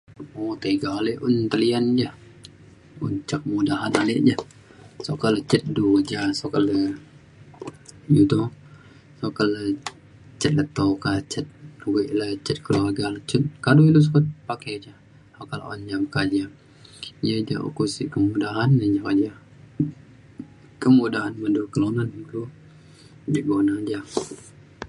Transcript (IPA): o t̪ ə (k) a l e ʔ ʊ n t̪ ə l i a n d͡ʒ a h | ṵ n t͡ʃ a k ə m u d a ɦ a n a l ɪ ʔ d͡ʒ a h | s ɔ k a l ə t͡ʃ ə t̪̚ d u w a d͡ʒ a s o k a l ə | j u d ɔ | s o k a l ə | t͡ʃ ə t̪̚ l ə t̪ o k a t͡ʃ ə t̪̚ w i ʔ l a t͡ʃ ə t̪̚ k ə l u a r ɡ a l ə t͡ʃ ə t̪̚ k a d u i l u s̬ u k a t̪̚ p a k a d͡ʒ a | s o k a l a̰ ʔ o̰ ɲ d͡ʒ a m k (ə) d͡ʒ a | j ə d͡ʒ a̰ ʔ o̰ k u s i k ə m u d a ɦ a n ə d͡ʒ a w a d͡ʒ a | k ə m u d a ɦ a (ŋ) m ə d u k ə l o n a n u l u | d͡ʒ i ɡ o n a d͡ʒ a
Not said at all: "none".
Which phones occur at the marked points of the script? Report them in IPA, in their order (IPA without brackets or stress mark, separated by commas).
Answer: ɡ, a, n